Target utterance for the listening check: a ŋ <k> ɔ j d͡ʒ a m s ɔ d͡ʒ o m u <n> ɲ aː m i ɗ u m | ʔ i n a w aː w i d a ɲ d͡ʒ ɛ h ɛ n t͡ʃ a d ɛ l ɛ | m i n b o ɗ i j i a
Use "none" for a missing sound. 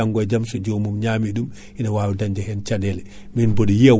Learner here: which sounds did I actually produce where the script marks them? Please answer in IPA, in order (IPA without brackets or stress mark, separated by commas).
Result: ɡ, m